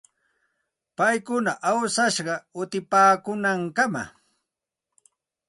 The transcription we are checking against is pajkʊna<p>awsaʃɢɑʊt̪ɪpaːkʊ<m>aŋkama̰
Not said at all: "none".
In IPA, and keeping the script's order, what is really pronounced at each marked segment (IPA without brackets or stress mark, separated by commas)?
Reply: ʔ, n